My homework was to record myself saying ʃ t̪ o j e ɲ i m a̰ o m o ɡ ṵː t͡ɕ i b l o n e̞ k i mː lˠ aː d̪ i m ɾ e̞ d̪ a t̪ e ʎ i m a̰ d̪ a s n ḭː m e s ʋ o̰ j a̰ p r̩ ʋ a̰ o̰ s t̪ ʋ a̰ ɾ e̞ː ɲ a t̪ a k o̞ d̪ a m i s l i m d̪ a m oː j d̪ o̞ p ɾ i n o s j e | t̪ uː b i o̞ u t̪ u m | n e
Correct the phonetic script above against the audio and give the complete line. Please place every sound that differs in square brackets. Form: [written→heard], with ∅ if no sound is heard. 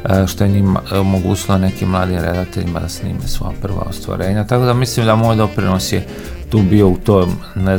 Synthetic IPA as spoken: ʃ t̪ o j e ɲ i m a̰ o m o ɡ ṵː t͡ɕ i [b→∅] l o n e̞ k i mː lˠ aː d̪ i m ɾ e̞ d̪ a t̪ e ʎ i m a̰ d̪ a s n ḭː m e s ʋ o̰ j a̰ p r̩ ʋ a̰ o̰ s t̪ ʋ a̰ ɾ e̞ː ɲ a t̪ a k o̞ d̪ a m i s l i m d̪ a m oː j d̪ o̞ p ɾ i n o s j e | t̪ uː b i o̞ u t̪ [u→o] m | n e